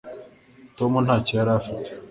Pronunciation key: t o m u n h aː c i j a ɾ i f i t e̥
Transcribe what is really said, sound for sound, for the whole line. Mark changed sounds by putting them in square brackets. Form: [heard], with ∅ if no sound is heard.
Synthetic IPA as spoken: t o m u n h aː c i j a ɾ [a] f i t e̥